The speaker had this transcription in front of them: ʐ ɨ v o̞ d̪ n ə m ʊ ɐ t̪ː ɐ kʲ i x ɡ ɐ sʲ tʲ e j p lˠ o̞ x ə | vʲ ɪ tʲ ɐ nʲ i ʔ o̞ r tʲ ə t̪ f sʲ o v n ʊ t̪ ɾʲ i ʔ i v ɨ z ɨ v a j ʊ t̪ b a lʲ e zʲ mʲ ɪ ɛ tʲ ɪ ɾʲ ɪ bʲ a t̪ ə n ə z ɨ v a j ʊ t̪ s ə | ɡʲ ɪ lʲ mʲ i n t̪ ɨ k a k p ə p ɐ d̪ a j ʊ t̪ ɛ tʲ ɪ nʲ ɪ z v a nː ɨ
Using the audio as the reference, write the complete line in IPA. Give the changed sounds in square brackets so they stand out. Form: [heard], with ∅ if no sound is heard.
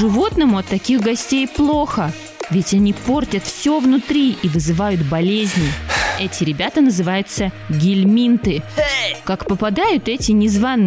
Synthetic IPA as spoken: ʐ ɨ v o̞ [t̪] n ə m ʊ ɐ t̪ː ɐ kʲ i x ɡ ɐ sʲ tʲ e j p lˠ o̞ x ə | vʲ ɪ tʲ ɐ nʲ i [p] o̞ r tʲ ə t̪ f sʲ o v n ʊ t̪ ɾʲ i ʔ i v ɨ z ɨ v a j ʊ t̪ b [ɐ] lʲ e zʲ [nʲ] ɪ ɛ tʲ ɪ ɾʲ ɪ bʲ a t̪ ə n ə z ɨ v a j ʊ t̪ s ə | ɡʲ ɪ lʲ mʲ i n t̪ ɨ k a k p ə p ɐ d̪ a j ʊ t̪ ɛ tʲ ɪ nʲ ɪ z v a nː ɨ